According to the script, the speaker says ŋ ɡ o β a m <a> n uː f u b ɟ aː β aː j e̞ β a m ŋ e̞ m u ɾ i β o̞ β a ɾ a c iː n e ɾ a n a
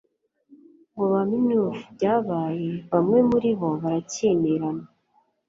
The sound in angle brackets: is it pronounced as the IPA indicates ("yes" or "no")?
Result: no